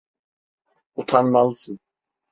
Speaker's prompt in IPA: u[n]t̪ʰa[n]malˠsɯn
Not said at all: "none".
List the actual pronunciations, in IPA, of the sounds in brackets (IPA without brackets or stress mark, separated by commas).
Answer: none, n